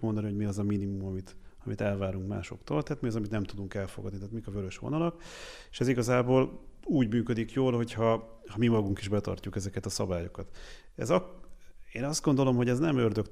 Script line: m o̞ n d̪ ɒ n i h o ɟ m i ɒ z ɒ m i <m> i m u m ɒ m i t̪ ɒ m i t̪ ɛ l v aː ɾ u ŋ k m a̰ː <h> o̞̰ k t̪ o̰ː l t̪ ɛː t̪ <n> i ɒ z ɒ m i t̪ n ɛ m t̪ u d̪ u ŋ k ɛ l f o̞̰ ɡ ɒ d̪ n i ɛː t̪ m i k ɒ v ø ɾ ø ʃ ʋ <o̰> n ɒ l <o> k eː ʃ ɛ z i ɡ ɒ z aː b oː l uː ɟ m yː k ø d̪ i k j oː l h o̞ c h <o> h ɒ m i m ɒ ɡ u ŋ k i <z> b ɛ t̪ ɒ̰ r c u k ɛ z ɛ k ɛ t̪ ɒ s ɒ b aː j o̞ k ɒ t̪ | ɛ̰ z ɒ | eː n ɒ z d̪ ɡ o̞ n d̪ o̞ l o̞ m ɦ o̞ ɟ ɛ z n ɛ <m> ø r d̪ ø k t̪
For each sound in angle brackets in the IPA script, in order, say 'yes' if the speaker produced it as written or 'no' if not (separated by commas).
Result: no, no, no, yes, no, no, no, yes